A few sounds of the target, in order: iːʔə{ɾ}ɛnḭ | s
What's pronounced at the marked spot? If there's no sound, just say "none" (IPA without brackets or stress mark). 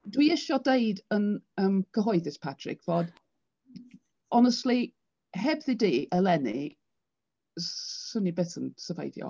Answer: l